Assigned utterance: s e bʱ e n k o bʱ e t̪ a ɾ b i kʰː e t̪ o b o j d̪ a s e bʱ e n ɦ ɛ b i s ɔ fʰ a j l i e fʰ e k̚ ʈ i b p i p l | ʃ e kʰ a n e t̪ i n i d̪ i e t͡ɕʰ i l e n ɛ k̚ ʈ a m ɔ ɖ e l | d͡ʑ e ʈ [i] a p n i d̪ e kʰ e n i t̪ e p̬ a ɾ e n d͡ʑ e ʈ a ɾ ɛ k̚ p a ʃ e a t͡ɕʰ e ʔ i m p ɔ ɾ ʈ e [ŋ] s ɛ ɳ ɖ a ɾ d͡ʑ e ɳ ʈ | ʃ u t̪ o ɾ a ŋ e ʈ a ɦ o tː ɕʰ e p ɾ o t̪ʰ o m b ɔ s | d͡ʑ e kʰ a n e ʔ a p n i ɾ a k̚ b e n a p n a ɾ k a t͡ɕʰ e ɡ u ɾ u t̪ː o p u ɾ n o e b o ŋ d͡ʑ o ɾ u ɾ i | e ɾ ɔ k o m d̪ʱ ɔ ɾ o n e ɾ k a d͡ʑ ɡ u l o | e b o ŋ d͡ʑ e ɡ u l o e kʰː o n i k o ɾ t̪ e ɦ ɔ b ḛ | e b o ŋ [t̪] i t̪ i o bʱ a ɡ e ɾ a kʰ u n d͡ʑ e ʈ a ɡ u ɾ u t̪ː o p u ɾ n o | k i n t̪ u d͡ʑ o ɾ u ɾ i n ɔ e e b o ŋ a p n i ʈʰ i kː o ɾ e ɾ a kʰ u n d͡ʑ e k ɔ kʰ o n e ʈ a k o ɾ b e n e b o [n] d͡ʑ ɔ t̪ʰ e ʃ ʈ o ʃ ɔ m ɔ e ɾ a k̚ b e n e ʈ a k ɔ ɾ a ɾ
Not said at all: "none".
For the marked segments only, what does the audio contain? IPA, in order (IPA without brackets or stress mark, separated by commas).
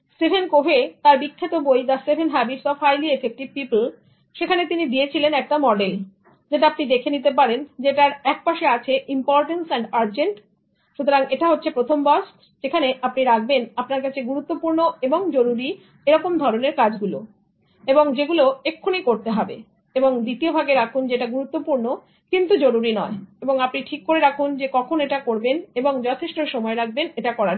a, n, d̪, ŋ